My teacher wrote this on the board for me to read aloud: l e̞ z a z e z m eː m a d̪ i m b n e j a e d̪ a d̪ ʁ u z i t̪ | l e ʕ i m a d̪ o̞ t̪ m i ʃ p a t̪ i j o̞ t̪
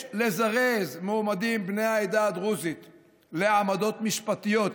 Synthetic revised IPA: l e̞ z a ʁ e z m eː m a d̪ i m b n e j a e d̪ a d̪ ʁ u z i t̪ | l e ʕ a m a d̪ o̞ t̪ m i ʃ p a t̪ i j o̞ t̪